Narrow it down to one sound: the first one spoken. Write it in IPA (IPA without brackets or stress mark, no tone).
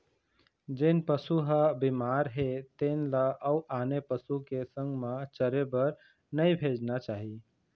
d͡ʒ